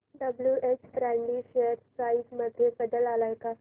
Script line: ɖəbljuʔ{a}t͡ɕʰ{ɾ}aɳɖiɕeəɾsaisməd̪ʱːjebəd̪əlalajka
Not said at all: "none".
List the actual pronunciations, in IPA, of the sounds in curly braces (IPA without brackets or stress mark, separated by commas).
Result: e, ɾ